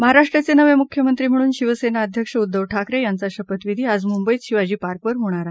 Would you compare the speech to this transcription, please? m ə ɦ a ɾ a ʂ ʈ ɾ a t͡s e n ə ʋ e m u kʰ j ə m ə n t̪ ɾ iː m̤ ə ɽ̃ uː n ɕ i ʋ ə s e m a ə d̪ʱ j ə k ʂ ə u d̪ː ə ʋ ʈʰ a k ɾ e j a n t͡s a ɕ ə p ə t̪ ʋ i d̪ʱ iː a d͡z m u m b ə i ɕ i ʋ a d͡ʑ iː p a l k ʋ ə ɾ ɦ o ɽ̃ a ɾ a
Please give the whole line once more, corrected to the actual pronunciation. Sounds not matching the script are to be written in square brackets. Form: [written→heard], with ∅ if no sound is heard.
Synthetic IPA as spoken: m ə ɦ a ɾ a ʂ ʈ ɾ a t͡s e n ə ʋ e m u kʰ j ə m ə n t̪ ɾ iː m̤ ə ɽ̃ uː n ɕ i ʋ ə s e [m→n] a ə d̪ʱ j ə k ʂ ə u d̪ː ə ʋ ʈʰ a k ɾ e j a n t͡s a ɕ ə p ə t̪ ʋ i d̪ʱ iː a d͡z m u m b ə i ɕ i ʋ a d͡ʑ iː p a [l→ɾ] k ʋ ə ɾ ɦ o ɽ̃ a ɾ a